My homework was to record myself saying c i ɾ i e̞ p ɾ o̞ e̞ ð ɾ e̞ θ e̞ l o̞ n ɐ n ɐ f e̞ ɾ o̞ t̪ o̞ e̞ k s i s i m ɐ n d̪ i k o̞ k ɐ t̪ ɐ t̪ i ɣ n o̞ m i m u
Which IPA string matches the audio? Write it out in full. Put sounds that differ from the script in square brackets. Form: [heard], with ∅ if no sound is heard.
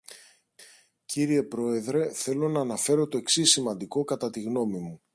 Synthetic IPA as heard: c i ɾ i e̞ p ɾ o̞ e̞ ð ɾ e̞ θ e̞ l o̞ n [ɐː] n ɐ f e̞ ɾ o̞ t̪ o̞ e̞ k s i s i m ɐ n d̪ i k o̞ k ɐ t̪ ɐ t̪ i ɣ n o̞ m i m u